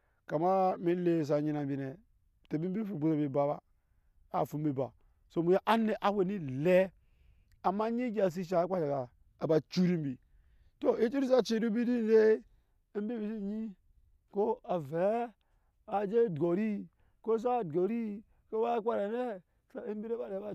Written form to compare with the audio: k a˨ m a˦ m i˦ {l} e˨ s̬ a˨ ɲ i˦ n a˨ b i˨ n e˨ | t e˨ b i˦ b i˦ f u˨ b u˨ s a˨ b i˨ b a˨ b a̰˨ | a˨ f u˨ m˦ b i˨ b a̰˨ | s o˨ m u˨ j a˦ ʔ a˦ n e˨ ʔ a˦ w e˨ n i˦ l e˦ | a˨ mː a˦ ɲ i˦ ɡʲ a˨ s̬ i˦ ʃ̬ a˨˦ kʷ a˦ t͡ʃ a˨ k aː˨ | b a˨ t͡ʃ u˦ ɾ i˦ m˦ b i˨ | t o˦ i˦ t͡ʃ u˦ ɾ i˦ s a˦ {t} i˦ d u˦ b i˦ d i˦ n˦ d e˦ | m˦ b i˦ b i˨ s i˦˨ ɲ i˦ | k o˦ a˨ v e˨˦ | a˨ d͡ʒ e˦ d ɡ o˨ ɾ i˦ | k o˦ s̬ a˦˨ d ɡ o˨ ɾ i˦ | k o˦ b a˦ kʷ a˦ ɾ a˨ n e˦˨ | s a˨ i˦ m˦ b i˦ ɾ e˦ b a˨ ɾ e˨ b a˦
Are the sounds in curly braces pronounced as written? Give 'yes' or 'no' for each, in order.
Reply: yes, no

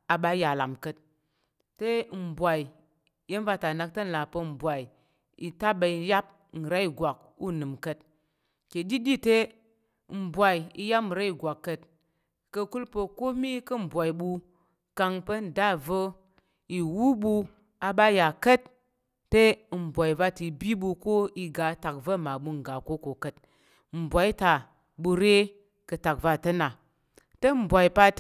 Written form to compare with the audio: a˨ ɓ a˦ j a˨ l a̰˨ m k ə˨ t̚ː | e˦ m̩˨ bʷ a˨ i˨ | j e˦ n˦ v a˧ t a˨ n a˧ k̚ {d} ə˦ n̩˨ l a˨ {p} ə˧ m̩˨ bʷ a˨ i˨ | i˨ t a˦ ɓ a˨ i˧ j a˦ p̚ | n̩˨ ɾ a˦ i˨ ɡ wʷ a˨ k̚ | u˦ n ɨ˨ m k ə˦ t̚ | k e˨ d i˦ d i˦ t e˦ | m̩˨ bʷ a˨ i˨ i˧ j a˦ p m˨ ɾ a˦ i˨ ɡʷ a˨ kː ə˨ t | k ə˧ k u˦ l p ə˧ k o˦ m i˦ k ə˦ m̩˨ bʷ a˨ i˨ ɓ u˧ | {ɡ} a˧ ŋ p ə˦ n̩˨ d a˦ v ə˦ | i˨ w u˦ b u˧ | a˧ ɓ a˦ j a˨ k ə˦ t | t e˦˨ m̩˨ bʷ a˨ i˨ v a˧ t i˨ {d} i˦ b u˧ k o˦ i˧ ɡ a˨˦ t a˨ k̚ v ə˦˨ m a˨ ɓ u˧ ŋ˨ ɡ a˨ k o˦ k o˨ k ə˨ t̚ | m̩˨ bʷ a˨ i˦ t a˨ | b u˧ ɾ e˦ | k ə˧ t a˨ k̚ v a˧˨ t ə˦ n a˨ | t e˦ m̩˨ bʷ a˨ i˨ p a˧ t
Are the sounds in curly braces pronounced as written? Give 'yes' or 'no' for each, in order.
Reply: no, yes, no, no

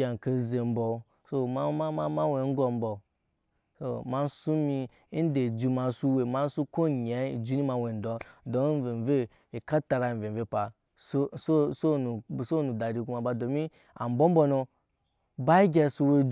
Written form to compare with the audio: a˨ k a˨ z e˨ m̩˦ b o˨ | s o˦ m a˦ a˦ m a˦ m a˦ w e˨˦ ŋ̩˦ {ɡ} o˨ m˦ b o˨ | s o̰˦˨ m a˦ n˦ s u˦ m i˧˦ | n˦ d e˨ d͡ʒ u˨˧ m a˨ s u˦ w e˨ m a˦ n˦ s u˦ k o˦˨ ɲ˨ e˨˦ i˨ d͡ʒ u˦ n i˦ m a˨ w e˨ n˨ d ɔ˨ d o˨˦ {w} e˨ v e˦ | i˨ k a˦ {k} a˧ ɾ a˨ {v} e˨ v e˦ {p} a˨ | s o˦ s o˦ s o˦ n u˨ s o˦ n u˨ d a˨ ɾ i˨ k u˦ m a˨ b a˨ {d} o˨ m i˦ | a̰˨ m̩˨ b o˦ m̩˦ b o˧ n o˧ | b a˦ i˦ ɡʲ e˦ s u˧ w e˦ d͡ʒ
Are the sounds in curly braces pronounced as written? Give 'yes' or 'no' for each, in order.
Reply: yes, no, no, yes, yes, yes

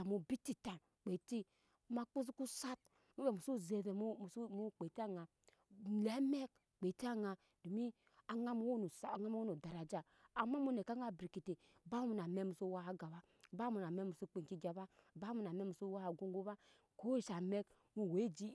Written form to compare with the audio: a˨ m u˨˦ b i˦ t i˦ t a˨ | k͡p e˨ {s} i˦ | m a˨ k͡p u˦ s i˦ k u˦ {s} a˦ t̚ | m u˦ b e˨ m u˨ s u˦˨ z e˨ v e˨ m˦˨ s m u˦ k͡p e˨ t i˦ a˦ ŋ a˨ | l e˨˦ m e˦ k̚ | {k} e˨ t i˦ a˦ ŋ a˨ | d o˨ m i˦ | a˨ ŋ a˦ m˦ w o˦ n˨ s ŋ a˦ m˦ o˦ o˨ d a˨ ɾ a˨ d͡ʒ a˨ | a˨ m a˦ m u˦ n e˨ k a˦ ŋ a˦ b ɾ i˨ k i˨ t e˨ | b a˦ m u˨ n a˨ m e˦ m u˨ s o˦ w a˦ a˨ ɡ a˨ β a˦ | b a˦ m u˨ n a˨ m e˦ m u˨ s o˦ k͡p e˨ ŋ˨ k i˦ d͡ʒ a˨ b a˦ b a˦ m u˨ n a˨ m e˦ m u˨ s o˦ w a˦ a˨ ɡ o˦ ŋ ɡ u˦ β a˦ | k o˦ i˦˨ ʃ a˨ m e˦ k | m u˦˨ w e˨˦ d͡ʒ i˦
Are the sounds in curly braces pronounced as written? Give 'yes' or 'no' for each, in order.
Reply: no, yes, no

